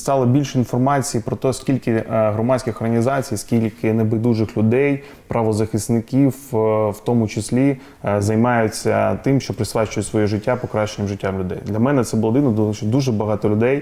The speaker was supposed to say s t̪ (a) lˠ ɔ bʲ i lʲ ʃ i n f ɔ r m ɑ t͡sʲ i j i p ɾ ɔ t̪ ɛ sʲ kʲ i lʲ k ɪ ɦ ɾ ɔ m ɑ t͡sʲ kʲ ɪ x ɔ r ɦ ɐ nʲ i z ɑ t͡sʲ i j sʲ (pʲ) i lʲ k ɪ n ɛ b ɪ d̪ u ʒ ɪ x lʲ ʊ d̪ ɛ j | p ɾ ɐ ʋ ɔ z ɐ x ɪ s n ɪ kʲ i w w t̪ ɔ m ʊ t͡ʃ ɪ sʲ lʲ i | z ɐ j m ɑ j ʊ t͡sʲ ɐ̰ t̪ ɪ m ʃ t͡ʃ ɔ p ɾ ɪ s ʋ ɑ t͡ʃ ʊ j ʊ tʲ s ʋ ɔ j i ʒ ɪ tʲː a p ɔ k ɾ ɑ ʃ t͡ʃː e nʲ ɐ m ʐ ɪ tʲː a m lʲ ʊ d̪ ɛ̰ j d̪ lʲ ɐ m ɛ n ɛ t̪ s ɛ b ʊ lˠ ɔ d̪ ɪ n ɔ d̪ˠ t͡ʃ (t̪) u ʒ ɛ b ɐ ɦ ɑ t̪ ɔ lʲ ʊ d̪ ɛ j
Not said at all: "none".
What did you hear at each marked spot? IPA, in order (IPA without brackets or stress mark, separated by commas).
ɑ, kʲ, d̪